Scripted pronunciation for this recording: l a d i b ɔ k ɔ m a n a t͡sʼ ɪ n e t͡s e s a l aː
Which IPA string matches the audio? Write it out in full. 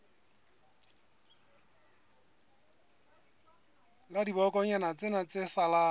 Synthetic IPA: l a d i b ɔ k ɔ ɲ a n a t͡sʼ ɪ n a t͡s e s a l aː